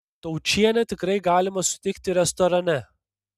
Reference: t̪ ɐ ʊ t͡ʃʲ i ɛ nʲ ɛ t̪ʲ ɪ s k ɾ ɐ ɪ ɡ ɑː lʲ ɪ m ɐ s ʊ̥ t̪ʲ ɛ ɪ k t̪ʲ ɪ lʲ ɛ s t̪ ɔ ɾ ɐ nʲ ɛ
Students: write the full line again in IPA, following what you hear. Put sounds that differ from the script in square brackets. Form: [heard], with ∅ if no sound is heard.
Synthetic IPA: t̪ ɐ ʊ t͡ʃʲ i ɛ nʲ ɛ t̪ʲ ɪ [∅] k ɾ ɐ ɪ ɡ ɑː lʲ ɪ m ɐ s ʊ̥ t̪ʲ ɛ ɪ k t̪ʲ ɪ [ɾʲ] ɛ s t̪ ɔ ɾ ɐ nʲ ɛ